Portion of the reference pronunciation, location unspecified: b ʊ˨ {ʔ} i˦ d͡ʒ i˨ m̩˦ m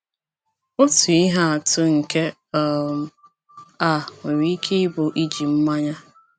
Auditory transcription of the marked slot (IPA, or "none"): ʔ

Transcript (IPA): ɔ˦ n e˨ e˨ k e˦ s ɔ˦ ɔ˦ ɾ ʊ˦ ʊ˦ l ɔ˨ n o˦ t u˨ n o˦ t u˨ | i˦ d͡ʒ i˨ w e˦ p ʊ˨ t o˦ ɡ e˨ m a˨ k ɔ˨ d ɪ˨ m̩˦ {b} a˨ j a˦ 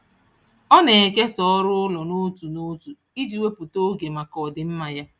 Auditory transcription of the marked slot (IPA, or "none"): m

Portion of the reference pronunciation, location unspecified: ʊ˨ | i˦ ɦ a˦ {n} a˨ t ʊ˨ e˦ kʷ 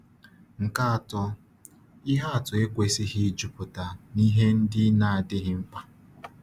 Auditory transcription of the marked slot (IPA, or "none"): none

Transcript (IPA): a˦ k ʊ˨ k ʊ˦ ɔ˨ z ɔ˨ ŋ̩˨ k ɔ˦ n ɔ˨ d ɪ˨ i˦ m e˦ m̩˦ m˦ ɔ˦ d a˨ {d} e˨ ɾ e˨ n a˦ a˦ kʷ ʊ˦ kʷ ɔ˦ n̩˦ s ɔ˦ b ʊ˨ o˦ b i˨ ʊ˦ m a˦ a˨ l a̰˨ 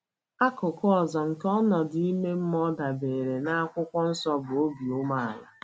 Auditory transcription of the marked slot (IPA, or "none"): b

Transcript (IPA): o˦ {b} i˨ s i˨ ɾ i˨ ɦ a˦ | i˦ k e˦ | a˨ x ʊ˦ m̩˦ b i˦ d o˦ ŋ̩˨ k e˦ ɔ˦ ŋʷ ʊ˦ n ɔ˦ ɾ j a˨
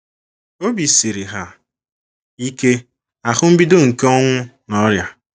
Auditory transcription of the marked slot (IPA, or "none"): b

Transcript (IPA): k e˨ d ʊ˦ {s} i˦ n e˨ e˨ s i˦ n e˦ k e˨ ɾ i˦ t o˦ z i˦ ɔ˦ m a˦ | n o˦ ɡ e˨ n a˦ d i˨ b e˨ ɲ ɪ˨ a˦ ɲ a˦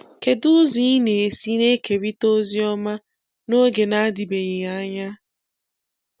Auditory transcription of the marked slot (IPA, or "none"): z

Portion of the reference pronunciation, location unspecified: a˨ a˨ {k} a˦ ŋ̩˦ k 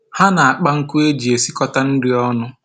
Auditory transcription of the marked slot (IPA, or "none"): k͡p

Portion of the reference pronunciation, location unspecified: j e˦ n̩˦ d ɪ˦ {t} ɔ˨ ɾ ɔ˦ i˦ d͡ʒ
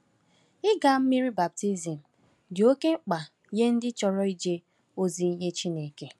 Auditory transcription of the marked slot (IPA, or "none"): t͡ʃ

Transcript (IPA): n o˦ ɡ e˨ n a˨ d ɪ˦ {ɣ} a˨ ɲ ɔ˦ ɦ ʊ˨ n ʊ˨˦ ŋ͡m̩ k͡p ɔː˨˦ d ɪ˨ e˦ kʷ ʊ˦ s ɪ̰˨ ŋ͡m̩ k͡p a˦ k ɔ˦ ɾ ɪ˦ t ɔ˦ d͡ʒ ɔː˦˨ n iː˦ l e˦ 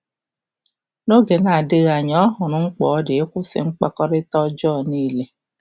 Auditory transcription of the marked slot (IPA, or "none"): ɣ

